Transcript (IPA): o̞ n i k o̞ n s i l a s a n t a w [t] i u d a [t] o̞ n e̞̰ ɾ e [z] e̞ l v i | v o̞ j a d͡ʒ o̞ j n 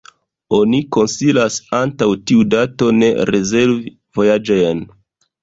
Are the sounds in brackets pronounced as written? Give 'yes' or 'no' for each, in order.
yes, yes, yes

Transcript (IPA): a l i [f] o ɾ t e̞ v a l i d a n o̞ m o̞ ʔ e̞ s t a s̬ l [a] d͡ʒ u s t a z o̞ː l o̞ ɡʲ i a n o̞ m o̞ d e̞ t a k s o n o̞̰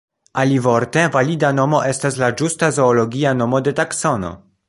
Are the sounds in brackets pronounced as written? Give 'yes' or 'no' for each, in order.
no, yes

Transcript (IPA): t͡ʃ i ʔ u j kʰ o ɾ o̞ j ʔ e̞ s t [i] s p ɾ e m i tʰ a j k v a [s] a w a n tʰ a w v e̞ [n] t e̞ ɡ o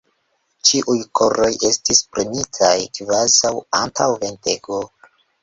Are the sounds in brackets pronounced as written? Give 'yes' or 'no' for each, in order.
yes, no, yes

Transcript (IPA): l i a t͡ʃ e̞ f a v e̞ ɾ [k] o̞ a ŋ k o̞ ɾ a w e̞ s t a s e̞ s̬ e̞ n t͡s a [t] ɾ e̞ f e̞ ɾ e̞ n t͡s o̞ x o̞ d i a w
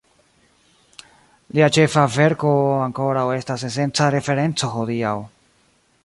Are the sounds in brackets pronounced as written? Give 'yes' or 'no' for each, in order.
yes, no

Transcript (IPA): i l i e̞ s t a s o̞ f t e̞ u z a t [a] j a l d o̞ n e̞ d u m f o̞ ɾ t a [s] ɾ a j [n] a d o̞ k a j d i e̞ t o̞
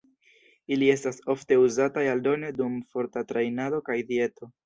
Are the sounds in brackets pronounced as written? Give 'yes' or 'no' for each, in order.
yes, no, yes

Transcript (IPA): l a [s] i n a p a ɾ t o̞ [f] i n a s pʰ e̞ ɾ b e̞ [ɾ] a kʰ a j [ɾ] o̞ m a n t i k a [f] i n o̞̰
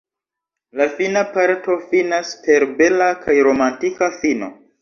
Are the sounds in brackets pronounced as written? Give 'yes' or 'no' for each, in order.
no, yes, no, yes, yes

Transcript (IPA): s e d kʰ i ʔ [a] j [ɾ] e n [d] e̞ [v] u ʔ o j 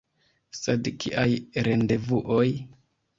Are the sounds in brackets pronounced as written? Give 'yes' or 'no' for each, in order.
yes, yes, yes, yes

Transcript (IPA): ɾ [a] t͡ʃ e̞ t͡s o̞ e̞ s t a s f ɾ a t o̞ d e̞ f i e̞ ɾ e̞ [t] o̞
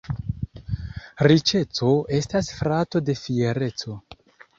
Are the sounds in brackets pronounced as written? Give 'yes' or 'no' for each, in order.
no, no

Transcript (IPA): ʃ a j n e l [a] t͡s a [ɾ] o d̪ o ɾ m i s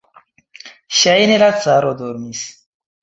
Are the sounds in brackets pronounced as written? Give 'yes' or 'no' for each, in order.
yes, yes

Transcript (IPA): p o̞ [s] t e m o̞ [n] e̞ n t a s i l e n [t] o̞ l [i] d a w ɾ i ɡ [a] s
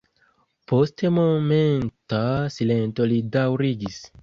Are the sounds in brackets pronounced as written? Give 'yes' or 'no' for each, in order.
yes, no, yes, yes, no

